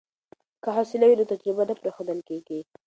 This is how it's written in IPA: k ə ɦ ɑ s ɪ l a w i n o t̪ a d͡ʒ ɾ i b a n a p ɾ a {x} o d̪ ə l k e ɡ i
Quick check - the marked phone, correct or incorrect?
correct